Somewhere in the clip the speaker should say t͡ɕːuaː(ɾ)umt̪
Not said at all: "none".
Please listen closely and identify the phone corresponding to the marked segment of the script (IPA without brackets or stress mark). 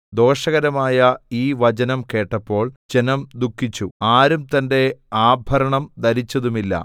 ɾ